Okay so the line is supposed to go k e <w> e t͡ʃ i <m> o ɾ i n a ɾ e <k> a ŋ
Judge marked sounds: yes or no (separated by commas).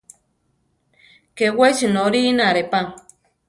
yes, no, no